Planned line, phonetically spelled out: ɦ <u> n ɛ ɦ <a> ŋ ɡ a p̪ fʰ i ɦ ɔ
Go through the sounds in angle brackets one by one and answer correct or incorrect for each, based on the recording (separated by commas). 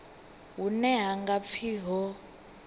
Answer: correct, correct